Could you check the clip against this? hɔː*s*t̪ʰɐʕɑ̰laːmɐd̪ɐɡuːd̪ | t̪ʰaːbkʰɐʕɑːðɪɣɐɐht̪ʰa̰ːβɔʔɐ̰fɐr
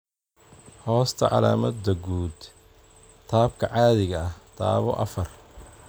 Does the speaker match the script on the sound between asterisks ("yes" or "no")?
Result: yes